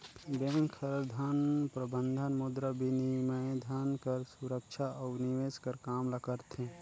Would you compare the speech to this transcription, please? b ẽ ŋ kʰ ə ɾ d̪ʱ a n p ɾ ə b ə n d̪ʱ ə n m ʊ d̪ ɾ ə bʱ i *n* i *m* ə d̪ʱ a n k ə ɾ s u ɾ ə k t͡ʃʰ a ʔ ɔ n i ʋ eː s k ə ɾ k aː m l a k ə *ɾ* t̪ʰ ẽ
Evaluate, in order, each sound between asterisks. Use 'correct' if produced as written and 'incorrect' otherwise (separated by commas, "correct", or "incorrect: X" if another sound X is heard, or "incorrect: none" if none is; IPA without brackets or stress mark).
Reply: correct, correct, correct